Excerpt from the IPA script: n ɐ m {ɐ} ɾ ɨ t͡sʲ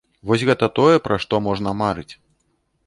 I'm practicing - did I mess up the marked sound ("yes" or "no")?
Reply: yes